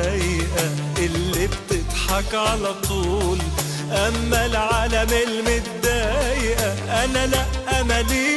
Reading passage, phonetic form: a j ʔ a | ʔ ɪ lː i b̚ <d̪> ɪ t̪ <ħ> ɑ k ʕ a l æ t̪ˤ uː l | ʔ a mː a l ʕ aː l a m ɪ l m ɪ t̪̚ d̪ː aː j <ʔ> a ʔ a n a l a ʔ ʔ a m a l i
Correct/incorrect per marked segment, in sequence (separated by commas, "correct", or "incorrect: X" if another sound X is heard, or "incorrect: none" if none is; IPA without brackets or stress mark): incorrect: t̪, correct, correct